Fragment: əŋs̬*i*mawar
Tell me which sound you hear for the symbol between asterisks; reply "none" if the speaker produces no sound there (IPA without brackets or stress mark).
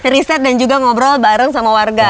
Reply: a